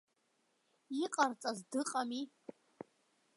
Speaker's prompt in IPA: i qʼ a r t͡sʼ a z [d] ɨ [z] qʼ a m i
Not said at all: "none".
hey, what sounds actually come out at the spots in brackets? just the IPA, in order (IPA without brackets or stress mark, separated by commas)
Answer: d, none